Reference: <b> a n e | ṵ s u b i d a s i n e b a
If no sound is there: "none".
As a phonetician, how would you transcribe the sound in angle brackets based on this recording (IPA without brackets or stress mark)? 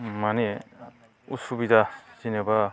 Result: m